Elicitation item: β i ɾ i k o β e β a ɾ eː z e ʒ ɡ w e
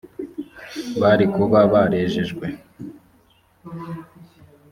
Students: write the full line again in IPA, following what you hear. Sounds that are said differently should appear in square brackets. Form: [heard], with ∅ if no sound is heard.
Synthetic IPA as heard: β [a] ɾ i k [u] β [a] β a ɾ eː [ʒ] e ʒ ɡ w e